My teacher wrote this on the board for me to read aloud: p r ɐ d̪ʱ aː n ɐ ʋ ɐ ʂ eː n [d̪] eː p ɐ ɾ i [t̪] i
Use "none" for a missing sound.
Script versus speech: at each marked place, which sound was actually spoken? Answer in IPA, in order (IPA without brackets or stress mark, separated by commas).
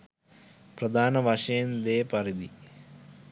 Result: d̪, d̪